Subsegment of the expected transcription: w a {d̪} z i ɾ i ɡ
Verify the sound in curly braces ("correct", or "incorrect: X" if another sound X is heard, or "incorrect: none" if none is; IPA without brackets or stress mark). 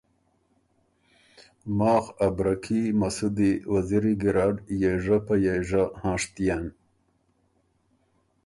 incorrect: none